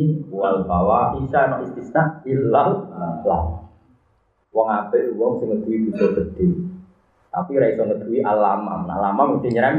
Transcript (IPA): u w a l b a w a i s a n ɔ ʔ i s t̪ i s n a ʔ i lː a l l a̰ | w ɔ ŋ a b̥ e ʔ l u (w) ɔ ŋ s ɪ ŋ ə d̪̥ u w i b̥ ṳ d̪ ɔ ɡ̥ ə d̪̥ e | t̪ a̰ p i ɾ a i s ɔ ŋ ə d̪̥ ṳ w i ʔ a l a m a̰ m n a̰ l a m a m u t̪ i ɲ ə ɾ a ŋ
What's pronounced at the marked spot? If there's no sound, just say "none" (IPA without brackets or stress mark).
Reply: w